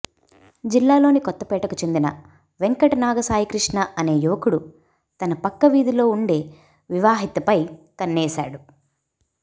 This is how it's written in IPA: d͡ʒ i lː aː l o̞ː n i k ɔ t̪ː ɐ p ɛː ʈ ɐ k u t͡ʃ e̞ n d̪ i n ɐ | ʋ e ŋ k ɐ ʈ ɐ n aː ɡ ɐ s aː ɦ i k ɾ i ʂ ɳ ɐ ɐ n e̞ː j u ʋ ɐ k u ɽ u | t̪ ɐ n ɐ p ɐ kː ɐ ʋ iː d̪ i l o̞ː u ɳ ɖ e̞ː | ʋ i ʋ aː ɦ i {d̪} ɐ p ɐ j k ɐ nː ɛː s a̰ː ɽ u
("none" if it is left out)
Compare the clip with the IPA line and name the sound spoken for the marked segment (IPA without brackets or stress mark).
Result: t̪